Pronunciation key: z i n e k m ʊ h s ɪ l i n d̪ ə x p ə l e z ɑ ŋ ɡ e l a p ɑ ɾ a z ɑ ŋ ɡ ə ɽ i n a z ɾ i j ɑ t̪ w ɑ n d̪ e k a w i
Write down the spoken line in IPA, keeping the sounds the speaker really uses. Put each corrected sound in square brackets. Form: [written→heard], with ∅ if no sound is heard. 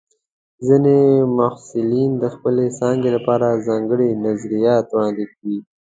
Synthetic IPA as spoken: z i n e [k→∅] m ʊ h s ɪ l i n d̪ ə x p ə l e [z→s] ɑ ŋ ɡ e l a p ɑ ɾ a z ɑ ŋ ɡ ə ɽ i n a z ɾ i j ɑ t̪ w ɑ n d̪ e k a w i

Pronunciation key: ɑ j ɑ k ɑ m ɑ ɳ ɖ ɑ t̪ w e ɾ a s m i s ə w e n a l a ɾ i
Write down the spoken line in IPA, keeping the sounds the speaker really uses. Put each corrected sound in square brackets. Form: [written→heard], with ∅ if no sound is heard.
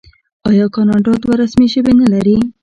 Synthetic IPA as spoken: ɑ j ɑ k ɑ [m→n] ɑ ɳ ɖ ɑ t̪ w [e→a] ɾ a s m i [s→ʃ] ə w e n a l a ɾ i

